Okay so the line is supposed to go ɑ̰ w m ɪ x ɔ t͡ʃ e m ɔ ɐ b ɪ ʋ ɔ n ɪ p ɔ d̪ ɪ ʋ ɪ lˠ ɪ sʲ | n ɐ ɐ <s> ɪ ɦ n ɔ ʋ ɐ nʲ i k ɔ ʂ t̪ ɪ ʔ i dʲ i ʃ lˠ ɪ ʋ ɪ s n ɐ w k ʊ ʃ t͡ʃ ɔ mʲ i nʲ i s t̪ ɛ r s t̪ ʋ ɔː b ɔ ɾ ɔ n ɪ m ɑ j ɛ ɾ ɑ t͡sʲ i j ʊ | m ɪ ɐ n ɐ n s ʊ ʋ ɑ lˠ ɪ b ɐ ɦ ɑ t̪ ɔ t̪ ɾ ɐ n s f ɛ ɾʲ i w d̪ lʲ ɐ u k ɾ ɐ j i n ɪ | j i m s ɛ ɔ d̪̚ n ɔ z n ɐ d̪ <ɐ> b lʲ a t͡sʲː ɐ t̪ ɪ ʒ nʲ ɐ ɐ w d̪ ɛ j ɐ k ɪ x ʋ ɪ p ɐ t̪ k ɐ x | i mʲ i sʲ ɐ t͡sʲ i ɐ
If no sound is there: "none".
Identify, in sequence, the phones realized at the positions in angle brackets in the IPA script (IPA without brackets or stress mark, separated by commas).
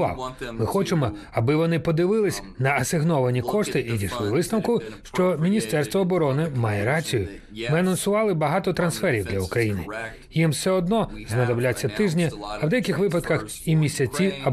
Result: s, ɐ